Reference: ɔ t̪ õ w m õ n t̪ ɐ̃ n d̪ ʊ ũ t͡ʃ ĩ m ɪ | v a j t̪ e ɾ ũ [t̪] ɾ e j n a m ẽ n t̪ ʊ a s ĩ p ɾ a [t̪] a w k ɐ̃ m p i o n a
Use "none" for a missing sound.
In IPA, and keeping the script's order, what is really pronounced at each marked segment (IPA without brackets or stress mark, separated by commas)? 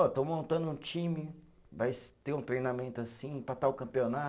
t̪, t̪